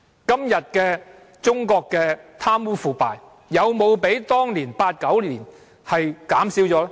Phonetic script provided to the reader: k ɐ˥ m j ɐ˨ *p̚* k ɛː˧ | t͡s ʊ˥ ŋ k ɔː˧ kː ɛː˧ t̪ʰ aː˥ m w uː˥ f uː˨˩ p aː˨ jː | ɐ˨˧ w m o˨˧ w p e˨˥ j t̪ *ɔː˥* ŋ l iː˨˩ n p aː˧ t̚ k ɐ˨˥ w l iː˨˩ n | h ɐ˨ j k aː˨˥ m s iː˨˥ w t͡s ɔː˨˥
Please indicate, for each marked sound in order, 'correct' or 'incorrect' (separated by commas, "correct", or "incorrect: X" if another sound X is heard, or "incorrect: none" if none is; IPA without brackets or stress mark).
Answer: incorrect: t̚, correct